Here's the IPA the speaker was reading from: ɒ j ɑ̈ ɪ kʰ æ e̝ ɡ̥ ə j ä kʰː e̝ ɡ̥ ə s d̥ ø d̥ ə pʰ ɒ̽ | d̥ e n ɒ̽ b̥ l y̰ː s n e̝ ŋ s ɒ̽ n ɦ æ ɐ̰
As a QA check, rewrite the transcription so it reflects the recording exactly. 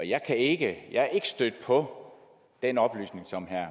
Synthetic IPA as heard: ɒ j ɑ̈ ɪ kʰ æ e̝ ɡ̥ ə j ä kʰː e̝ ɡ̥ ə s d̥ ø d̥ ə pʰ ɒ̽ | d̥ e n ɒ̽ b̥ l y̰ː s n e̝ ŋ s ɒ̽ m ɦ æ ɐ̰